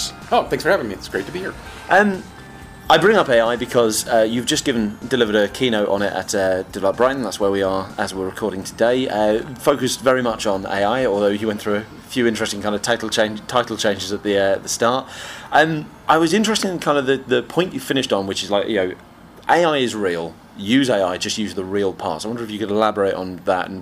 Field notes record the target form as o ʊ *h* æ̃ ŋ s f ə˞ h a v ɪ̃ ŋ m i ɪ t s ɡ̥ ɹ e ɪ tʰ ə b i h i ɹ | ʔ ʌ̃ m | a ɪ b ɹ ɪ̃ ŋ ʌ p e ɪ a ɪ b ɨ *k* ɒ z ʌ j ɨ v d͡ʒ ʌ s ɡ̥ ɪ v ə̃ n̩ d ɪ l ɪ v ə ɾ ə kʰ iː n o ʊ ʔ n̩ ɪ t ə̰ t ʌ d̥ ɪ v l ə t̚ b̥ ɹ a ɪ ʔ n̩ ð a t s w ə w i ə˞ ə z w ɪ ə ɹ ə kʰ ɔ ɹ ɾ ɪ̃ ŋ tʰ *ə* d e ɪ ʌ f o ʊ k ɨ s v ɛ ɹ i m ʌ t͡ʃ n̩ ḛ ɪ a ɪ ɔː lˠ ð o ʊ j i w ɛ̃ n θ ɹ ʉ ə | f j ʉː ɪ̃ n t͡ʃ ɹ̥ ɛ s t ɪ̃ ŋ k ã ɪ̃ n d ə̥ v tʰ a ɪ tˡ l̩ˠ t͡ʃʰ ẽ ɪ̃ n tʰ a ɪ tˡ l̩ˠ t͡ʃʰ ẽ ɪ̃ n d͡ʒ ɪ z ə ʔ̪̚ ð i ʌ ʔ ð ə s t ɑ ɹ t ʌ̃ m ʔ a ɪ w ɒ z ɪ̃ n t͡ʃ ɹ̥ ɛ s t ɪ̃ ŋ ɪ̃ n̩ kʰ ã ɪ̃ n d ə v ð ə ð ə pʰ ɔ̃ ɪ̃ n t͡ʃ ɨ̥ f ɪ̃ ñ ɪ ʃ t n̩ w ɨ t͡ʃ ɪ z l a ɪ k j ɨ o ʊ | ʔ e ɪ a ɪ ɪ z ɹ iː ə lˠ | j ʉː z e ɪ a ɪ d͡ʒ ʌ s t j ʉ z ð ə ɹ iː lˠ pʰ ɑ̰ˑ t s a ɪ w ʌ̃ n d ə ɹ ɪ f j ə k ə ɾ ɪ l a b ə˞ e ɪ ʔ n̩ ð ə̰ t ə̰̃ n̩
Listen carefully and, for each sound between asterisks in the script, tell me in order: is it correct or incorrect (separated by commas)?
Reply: incorrect, incorrect, correct